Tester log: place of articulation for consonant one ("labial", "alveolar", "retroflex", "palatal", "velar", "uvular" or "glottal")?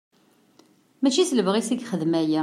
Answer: labial